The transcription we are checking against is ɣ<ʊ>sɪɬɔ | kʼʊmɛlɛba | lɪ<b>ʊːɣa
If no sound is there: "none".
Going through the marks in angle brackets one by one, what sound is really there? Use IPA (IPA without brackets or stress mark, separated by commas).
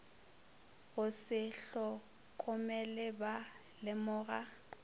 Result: ʊ, m